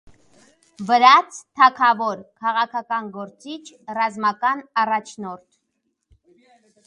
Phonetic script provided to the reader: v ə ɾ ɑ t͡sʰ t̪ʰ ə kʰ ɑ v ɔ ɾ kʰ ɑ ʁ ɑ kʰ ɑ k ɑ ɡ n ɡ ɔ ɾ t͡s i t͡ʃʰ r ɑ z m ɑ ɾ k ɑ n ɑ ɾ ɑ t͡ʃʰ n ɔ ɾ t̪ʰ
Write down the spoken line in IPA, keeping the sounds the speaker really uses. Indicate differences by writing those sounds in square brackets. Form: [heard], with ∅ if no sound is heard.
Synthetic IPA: v ə ɾ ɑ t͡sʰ t̪ʰ [ɑ] kʰ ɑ v ɔ ɾ kʰ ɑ ʁ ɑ kʰ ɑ k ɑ [∅] n ɡ ɔ ɾ t͡s i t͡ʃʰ r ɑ z m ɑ [∅] k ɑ n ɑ [r] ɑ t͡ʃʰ n ɔ ɾ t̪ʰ

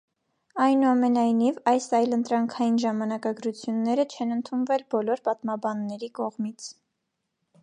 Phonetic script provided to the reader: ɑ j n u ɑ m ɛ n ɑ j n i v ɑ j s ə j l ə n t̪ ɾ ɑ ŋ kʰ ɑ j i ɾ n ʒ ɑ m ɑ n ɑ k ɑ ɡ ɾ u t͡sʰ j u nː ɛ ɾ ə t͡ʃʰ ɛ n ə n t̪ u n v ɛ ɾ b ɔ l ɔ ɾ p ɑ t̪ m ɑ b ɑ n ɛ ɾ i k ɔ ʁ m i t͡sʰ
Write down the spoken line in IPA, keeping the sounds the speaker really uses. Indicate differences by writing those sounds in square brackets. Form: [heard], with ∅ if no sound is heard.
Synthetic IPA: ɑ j n u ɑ m ɛ n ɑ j n i v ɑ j s [ɑ] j l ə n t̪ ɾ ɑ ŋ kʰ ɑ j i [∅] n ʒ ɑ m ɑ n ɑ k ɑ ɡ ɾ u t͡sʰ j u nː ɛ ɾ ə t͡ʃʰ ɛ n ə n [t̪ʰ] u n v ɛ [l] b ɔ l ɔ ɾ p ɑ t̪ m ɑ b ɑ [nː] ɛ ɾ i k ɔ ʁ m i t͡sʰ

